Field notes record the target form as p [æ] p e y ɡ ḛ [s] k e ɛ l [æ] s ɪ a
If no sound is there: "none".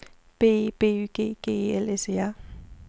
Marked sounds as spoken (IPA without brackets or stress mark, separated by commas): e, none, ɛ